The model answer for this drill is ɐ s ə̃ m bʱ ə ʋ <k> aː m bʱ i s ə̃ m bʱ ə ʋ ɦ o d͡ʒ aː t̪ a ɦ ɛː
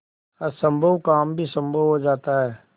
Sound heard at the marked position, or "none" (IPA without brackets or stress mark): k